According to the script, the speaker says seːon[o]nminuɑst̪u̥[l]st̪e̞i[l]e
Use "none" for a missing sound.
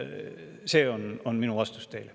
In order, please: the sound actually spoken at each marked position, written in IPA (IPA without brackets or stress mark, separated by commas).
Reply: o, none, l